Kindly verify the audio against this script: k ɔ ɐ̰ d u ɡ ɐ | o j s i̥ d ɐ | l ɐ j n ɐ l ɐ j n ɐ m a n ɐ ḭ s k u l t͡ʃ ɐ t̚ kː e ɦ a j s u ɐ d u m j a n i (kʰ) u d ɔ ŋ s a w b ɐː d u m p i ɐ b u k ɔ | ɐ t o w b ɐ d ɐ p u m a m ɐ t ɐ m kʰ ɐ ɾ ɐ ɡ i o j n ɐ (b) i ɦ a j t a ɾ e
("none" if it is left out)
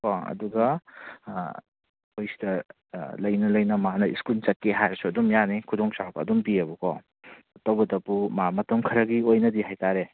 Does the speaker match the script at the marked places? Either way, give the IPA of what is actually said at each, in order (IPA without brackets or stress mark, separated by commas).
kʰ, d